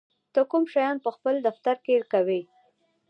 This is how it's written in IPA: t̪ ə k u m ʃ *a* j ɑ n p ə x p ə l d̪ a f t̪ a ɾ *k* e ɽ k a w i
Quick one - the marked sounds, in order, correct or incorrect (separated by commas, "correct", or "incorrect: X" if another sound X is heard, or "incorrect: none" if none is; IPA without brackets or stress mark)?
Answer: correct, correct